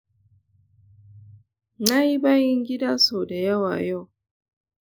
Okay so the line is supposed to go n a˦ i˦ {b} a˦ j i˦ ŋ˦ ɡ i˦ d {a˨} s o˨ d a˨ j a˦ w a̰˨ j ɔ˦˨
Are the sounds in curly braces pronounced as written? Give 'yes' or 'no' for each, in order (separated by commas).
yes, no